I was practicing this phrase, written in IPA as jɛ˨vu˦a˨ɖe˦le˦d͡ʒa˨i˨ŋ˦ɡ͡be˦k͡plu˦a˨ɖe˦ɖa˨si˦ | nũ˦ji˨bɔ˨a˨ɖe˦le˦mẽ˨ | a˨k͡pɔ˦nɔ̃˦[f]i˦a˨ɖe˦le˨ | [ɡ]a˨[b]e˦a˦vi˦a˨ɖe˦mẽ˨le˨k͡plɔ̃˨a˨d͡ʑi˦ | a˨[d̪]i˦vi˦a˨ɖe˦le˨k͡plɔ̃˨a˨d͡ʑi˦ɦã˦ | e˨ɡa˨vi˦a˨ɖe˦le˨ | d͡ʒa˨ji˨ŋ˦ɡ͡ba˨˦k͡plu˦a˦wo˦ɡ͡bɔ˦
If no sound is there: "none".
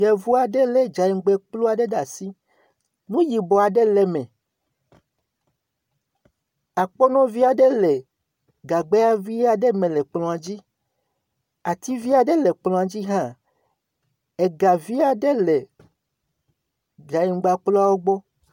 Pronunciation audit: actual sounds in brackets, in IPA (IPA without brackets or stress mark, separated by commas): v, ɡ, ɡ͡b, t̪